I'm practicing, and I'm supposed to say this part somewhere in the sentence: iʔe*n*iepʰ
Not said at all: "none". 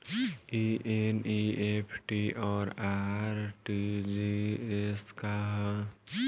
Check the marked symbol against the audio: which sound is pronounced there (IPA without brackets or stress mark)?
n